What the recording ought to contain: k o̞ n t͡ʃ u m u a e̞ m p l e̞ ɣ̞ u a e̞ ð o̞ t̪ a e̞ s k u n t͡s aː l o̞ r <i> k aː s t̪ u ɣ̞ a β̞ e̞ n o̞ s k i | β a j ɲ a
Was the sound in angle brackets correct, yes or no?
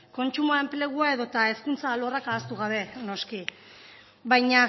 no